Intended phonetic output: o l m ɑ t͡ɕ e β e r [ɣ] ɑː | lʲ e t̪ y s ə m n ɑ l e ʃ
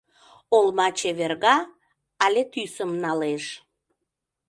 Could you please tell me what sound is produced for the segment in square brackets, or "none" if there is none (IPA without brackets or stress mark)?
ɣ